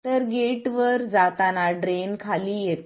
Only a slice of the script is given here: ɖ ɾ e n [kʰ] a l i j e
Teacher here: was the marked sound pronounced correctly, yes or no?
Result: yes